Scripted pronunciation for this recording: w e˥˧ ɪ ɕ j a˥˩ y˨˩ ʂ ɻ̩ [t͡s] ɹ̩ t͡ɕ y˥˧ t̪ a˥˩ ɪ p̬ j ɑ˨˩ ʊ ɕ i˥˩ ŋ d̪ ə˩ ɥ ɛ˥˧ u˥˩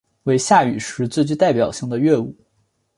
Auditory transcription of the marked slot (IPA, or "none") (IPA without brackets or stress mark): t͡s